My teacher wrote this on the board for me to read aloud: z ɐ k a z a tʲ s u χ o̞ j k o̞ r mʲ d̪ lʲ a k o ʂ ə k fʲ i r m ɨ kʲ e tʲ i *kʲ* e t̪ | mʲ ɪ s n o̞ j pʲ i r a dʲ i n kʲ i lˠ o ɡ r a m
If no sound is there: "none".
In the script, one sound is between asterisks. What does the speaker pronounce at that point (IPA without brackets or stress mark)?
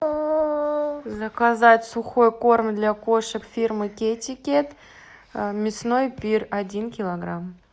kʲ